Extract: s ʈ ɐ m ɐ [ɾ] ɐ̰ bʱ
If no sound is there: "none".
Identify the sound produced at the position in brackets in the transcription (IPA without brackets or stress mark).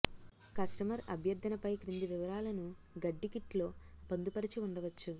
ɾ